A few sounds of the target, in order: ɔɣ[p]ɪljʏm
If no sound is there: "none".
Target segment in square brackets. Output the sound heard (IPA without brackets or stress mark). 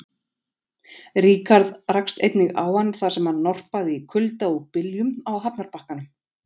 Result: p